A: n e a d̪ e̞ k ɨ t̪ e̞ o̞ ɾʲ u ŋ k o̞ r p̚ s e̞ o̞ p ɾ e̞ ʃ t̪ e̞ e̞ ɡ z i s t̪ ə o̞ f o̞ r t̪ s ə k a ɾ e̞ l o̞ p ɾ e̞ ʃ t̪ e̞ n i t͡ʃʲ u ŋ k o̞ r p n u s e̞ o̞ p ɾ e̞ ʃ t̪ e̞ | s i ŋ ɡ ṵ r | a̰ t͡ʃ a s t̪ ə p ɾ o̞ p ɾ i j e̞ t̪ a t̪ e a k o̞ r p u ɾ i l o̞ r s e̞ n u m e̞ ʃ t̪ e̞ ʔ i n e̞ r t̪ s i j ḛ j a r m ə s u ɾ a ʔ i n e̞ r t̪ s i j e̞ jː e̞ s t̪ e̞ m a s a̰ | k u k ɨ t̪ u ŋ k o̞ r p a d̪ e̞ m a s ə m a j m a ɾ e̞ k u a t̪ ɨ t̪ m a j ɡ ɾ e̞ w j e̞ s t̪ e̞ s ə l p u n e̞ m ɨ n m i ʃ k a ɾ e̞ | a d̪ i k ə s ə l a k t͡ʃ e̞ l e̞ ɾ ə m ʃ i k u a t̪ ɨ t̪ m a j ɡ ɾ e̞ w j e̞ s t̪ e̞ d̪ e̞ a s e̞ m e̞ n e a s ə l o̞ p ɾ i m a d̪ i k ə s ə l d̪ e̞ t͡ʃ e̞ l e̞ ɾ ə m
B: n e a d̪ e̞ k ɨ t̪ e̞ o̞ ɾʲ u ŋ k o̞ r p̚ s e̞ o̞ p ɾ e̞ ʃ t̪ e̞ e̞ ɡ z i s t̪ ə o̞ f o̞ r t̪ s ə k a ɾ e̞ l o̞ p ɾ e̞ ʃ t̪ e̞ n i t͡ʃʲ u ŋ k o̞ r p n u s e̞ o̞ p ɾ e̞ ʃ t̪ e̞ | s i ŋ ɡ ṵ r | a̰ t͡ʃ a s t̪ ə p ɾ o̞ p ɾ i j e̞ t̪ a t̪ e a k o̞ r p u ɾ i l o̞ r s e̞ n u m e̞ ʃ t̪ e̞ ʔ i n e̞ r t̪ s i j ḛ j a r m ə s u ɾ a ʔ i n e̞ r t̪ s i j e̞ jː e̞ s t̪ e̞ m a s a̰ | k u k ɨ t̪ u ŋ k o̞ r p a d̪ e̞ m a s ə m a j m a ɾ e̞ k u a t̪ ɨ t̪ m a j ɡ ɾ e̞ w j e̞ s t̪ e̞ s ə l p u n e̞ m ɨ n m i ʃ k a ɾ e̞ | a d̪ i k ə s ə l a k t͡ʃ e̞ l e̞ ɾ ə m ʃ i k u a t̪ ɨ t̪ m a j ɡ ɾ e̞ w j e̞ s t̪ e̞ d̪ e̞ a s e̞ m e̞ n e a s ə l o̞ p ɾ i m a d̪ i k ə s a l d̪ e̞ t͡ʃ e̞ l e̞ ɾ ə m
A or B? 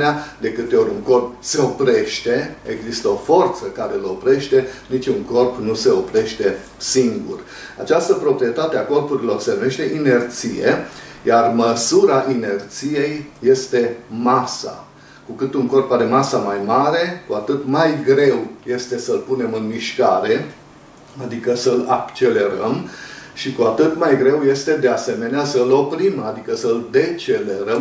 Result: A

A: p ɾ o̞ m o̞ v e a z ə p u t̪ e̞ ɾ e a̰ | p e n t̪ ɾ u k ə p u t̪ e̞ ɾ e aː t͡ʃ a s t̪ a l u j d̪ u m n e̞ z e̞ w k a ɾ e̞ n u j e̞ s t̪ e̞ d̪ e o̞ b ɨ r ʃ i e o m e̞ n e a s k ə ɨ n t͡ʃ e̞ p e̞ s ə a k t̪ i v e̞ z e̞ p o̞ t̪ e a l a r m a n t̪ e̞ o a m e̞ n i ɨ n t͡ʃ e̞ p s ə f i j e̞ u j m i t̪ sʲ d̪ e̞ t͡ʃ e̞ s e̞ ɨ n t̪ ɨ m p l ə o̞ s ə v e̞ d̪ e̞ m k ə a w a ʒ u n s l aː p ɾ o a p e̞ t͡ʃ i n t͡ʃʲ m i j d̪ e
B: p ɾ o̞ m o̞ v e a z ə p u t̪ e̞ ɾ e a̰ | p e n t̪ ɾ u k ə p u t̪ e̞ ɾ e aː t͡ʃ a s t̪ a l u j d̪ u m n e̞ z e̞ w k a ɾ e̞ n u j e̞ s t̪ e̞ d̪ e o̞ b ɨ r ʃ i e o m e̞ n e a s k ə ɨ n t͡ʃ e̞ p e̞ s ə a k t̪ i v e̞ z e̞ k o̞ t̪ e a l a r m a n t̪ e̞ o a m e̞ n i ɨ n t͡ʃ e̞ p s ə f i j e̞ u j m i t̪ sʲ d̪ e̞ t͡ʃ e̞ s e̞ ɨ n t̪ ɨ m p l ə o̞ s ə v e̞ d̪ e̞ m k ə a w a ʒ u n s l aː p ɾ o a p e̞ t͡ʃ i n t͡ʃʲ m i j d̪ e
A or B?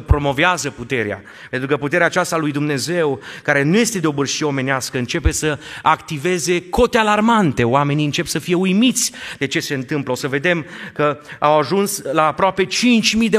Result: B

